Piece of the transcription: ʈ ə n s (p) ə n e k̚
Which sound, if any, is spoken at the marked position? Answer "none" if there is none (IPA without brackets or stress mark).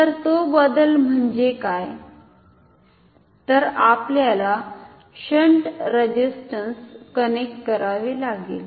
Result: k